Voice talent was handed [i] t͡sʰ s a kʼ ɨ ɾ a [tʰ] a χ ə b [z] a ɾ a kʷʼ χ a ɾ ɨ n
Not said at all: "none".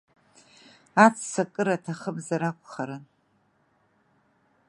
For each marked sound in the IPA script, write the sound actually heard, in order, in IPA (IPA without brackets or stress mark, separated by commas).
a, tʰ, z